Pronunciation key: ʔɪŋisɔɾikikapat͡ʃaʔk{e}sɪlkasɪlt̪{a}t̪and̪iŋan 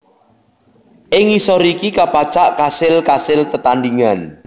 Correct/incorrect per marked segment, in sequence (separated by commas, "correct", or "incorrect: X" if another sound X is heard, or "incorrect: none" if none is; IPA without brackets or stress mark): incorrect: a, incorrect: ə